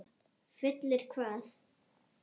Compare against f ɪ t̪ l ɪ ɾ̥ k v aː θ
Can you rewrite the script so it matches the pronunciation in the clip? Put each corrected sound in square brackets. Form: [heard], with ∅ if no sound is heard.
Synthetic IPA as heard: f ɪ t̪ l ɪ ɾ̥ [kʰ] v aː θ